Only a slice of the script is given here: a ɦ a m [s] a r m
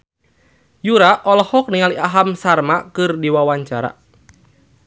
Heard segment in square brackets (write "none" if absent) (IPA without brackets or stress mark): s